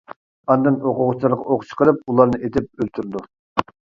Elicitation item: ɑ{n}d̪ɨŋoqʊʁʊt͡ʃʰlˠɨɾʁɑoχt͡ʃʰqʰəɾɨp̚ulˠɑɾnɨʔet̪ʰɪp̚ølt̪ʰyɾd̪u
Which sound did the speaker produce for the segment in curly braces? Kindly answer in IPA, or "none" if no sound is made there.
n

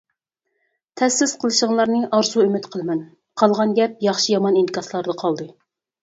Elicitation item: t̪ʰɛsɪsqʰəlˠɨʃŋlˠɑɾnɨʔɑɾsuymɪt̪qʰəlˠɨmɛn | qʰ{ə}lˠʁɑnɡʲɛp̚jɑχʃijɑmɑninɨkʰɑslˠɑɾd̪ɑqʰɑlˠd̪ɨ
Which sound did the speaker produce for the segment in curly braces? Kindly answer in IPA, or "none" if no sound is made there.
ɑ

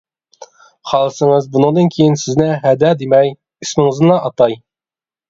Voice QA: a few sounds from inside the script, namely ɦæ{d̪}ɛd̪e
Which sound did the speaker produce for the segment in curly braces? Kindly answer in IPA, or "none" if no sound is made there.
d̪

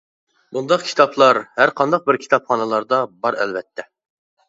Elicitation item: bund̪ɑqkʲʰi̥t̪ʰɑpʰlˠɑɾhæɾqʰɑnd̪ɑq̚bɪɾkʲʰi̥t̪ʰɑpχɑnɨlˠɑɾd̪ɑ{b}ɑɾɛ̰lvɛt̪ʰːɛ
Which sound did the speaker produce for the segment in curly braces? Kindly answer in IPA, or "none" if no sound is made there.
b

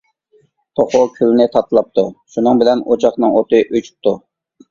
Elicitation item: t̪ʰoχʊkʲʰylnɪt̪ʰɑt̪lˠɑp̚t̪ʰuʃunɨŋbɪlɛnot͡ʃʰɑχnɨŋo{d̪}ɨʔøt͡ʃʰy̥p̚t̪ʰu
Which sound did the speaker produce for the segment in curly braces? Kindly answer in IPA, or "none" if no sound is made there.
t̪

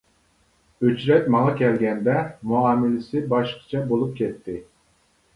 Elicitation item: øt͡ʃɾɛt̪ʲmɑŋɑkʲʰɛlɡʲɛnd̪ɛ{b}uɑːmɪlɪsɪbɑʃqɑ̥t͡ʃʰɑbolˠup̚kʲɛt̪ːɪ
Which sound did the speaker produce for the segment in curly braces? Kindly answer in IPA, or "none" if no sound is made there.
m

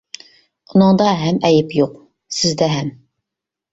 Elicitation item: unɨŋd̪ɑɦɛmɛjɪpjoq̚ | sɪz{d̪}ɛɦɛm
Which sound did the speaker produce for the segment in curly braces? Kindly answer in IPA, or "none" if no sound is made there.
d̪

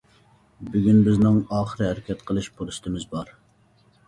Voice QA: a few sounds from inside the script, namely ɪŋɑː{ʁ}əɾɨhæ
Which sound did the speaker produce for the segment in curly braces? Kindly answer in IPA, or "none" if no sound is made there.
χ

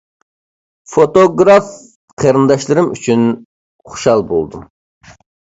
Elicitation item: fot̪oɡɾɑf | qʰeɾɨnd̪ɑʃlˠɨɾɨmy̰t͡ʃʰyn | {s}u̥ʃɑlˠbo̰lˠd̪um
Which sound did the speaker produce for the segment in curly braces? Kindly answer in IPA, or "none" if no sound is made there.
χ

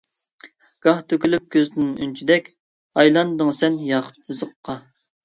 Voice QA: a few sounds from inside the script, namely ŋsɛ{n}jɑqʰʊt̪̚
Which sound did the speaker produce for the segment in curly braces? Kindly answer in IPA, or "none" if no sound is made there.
n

